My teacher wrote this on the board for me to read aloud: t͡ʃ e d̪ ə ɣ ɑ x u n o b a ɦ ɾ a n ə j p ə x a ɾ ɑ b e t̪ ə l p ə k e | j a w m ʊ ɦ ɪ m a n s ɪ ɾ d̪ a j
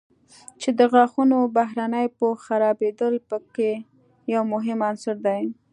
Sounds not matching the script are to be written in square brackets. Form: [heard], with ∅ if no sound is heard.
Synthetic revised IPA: t͡ʃ e d̪ ə ɣ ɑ x u n o b a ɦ ɾ a n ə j p ə x a ɾ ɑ b e [d̪] ə l p ə k e | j a w m ʊ ɦ ɪ m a n s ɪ ɾ d̪ a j